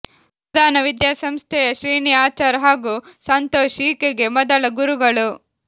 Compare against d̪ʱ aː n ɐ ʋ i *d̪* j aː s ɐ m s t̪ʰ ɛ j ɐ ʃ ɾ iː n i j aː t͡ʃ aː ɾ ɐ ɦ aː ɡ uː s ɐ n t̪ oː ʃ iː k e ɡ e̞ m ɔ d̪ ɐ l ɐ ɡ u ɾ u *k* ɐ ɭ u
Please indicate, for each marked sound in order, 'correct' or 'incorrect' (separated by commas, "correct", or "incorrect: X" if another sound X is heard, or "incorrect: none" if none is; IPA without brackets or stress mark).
correct, incorrect: ɡ